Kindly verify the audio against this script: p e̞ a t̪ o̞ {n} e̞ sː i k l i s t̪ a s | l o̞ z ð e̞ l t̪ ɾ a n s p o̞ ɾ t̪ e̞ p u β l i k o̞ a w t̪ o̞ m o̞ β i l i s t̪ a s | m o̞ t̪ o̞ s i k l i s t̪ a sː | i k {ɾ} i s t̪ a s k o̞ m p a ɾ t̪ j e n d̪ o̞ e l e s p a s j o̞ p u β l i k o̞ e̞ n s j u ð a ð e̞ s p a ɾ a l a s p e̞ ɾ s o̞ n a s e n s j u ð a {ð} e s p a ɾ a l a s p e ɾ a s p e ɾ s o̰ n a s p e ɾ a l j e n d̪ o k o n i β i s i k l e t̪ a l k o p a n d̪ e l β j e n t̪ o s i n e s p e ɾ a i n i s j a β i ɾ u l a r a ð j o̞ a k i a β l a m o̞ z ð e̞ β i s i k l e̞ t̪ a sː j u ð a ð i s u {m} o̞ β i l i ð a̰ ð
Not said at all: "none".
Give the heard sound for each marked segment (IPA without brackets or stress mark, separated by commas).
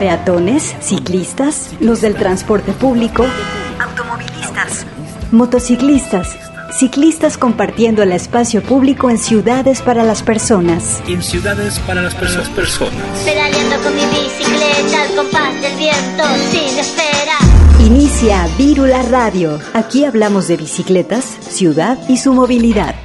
n, l, ð, m